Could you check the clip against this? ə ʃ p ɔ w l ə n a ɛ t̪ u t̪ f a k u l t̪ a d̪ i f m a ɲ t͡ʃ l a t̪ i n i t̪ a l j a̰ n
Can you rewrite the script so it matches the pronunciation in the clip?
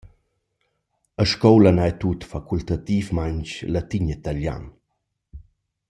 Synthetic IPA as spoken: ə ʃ k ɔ w l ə n a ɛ t̪ u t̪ f a k u l t̪ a t̪ i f m a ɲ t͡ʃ l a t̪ i ɲ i t̪ a l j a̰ n